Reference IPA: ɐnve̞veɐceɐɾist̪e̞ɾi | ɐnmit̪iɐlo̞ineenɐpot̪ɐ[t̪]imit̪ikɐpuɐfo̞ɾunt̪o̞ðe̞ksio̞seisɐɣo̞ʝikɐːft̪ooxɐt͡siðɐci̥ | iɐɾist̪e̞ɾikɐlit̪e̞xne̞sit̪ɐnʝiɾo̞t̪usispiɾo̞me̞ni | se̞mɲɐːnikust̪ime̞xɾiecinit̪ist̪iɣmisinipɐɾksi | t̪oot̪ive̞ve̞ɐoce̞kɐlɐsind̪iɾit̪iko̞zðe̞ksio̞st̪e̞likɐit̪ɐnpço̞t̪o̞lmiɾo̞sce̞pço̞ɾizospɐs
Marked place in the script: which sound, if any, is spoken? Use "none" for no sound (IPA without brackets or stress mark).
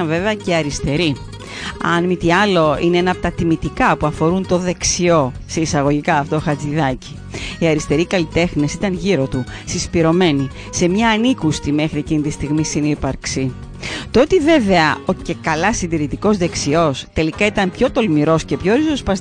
t̪